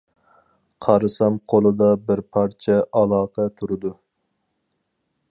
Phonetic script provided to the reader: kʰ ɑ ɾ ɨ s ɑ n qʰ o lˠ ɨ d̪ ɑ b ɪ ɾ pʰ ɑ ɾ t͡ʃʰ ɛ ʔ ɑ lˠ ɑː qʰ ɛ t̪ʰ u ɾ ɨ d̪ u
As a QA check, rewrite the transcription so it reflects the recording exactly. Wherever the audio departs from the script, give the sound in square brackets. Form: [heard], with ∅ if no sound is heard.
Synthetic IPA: [qʰ] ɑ ɾ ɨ s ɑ [m] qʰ o lˠ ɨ d̪ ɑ b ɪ ɾ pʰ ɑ ɾ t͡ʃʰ ɛ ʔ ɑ lˠ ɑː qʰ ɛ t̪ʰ u ɾ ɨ d̪ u

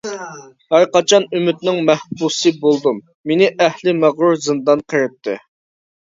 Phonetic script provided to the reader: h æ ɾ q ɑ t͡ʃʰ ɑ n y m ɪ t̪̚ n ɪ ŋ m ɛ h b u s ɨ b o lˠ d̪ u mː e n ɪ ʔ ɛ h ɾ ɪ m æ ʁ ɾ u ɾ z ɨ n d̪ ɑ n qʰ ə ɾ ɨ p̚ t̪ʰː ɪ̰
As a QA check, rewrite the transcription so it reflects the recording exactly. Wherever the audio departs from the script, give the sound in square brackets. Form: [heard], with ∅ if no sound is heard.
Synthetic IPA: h æ ɾ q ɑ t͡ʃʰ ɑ n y m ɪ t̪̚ n ɪ ŋ m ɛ h b u s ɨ b o lˠ d̪ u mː e n ɪ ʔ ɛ h [l] ɪ m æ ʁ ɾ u ɾ z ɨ n d̪ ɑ n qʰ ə ɾ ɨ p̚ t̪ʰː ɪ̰

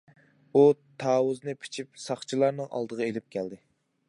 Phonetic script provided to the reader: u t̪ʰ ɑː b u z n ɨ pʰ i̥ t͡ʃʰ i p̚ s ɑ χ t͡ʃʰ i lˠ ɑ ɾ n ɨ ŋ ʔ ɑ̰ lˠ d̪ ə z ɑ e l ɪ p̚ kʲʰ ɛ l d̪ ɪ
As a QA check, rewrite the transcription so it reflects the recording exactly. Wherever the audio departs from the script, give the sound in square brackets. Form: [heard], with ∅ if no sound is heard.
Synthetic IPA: u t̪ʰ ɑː [w] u z n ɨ pʰ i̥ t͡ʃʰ i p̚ s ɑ χ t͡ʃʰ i lˠ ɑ ɾ n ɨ ŋ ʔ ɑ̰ lˠ d̪ ə [ʁ] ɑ e l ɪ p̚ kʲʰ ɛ l d̪ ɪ

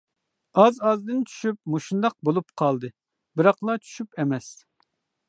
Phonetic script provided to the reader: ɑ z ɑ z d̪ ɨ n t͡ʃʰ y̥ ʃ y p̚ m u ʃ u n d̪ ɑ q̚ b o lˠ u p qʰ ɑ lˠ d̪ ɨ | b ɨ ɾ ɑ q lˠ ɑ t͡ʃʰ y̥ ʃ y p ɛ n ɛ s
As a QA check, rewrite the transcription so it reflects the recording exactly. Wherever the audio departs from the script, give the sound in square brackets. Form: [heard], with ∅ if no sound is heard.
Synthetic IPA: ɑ z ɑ z d̪ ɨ n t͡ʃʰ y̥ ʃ y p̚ m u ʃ u n d̪ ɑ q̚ b o lˠ u p qʰ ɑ lˠ d̪ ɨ | b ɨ ɾ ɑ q lˠ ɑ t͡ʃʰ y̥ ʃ y p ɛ [m] ɛ s

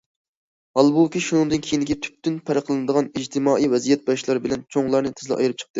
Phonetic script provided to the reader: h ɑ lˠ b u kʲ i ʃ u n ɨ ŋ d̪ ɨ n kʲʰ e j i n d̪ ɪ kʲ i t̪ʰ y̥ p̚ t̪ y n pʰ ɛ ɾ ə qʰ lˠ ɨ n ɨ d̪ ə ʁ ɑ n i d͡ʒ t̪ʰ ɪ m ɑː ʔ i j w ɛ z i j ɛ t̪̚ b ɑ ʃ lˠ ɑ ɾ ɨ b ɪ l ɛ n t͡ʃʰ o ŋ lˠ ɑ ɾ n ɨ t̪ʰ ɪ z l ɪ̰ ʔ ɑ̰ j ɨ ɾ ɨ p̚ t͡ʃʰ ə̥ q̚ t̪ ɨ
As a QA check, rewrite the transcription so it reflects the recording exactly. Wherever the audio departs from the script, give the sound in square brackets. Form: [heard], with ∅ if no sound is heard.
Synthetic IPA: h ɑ lˠ b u kʲ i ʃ u n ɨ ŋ d̪ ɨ n kʲʰ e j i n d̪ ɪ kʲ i t̪ʰ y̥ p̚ t̪ y n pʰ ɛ ɾ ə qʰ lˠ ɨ n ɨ d̪ ə ʁ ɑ n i d͡ʒ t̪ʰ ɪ m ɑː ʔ i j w ɛ z i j ɛ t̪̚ b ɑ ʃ lˠ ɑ ɾ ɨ b ɪ l ɛ n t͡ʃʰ o ŋ lˠ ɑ ɾ n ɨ t̪ʰ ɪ z l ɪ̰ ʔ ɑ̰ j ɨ ɾ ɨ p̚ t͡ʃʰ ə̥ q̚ t̪ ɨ

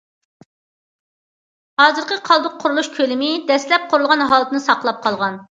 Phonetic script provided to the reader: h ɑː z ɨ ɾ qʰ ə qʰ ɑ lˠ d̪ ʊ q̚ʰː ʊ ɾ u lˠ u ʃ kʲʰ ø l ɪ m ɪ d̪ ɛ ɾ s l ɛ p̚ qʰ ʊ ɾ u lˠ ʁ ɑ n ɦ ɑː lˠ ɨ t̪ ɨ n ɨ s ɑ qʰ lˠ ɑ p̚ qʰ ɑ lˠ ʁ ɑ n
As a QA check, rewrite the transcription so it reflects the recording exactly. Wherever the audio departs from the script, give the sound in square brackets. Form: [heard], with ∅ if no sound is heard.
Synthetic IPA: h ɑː z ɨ ɾ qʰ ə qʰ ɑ lˠ d̪ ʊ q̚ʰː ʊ ɾ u lˠ u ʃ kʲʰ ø l ɪ m ɪ d̪ ɛ [∅] s l ɛ p̚ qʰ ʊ ɾ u lˠ ʁ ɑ n ɦ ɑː lˠ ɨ t̪ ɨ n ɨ s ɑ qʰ lˠ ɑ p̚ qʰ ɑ lˠ ʁ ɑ n

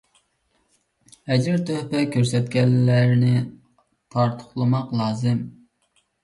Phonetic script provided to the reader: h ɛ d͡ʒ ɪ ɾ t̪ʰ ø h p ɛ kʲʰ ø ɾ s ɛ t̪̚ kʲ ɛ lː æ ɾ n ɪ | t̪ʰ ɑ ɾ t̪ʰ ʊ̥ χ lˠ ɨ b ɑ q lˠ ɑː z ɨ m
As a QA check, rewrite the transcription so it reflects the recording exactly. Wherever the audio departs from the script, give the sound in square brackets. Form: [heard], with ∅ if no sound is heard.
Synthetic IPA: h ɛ d͡ʒ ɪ ɾ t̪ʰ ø h p ɛ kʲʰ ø ɾ s ɛ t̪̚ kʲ ɛ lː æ ɾ n ɪ | t̪ʰ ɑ ɾ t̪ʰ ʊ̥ χ lˠ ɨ [m] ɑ q lˠ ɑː z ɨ m

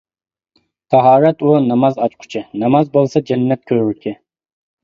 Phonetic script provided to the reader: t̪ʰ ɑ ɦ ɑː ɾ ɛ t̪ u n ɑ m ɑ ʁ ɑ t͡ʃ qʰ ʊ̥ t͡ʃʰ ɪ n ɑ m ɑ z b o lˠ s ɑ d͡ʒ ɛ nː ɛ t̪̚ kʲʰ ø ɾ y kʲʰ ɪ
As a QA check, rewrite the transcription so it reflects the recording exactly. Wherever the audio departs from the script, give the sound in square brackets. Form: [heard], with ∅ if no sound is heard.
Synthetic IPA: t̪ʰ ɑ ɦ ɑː ɾ ɛ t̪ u n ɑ m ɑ [z] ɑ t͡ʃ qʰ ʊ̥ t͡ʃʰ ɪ n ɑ m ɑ z b o lˠ s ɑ d͡ʒ ɛ nː ɛ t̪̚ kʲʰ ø ɾ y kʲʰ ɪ

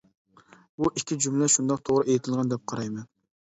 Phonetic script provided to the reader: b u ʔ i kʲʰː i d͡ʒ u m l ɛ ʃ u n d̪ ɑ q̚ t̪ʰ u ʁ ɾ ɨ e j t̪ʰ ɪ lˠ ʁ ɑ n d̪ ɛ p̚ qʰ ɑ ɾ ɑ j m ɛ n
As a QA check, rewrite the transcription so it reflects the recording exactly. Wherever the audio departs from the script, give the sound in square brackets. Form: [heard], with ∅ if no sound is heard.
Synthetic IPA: b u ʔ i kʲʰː i d͡ʒ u m l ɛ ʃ u n d̪ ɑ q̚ t̪ʰ [o] ʁ ɾ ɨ e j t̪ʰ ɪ lˠ ʁ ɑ n d̪ ɛ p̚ qʰ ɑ ɾ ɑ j m ɛ n

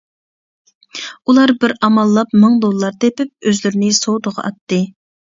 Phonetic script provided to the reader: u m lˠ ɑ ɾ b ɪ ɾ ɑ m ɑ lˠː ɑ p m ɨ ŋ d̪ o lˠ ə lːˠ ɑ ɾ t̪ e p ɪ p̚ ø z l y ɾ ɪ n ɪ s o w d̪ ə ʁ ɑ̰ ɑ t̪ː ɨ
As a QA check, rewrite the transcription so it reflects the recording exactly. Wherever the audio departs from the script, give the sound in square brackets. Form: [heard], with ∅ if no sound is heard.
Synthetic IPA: u [∅] lˠ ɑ ɾ b ɪ ɾ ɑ m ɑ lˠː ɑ p m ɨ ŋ d̪ o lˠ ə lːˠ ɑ ɾ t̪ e p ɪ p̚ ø z l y ɾ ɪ n ɪ s o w d̪ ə ʁ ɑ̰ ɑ t̪ː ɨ

